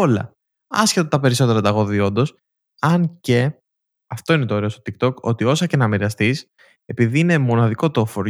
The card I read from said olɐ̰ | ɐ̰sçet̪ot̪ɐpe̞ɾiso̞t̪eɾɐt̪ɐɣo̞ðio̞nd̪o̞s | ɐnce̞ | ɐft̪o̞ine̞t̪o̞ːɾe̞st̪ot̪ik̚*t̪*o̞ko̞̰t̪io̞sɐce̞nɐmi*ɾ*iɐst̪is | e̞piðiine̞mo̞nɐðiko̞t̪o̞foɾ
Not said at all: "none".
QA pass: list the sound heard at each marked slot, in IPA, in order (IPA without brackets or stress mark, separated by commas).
t̪, ɾ